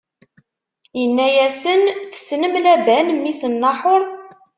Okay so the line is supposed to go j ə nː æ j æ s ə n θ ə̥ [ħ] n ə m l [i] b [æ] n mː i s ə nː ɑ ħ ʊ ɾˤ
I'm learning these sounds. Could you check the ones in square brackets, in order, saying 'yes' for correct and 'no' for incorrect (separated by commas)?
no, no, yes